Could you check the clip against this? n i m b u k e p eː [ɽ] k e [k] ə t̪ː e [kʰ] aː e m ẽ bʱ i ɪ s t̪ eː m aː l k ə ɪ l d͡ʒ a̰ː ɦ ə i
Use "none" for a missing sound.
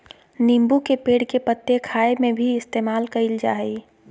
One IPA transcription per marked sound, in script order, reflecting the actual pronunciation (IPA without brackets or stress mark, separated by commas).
ɽ, p, kʰ